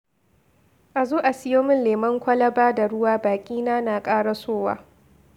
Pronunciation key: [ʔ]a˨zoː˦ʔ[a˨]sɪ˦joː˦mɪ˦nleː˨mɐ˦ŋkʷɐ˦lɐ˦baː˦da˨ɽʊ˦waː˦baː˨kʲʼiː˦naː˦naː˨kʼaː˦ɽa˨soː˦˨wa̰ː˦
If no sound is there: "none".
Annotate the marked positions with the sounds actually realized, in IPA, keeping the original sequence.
ʔ, a˨

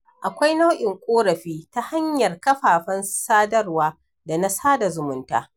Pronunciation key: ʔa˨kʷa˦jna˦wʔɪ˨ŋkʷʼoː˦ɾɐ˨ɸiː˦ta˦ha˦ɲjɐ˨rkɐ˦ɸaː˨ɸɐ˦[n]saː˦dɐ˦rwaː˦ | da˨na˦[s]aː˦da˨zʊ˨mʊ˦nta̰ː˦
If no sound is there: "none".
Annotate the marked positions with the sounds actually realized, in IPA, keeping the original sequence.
n, s

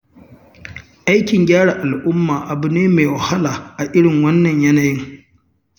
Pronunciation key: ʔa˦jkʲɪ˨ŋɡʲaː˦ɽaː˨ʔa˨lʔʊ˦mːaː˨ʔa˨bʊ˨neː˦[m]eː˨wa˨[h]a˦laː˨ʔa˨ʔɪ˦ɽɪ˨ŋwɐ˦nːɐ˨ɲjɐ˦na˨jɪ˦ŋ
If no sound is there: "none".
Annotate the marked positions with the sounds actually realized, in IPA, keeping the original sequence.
m, h

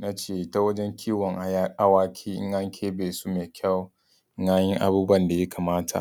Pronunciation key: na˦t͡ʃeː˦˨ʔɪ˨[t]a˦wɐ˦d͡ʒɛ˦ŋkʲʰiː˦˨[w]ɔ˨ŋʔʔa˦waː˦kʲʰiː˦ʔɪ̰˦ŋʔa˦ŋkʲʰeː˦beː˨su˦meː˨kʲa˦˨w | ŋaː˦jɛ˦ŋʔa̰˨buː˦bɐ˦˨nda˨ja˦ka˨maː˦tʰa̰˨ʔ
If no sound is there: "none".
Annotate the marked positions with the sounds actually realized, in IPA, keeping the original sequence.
t, w

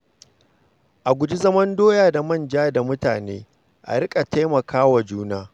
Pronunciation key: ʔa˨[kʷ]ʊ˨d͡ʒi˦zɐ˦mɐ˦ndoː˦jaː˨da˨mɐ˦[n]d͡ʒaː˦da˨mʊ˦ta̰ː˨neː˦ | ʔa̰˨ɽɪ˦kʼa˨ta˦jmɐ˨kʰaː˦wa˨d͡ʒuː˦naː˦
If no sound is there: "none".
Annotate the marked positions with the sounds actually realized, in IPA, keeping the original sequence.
ɡʷ, n

